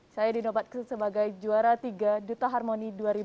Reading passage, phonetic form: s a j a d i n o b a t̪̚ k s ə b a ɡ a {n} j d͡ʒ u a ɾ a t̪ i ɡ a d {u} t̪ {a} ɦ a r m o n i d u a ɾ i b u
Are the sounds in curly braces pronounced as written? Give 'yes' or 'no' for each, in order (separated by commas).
no, yes, yes